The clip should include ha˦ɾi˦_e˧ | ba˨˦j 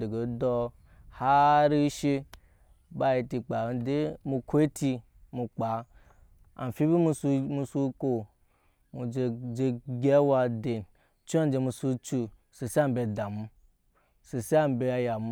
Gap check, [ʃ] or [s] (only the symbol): ʃ